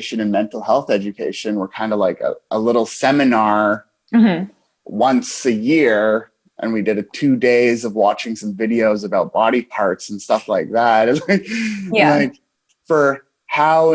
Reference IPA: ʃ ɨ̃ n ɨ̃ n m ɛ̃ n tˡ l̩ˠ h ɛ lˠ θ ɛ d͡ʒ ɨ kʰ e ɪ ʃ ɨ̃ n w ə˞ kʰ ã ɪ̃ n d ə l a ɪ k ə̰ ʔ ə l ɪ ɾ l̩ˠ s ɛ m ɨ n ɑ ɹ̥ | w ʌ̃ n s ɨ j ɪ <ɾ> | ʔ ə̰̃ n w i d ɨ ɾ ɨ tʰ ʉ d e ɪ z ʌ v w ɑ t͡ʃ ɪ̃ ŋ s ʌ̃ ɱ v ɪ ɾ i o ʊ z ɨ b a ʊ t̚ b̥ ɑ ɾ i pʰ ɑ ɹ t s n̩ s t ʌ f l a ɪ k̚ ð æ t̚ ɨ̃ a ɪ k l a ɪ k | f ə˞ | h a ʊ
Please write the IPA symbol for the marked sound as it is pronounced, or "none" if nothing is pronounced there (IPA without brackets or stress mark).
ɹ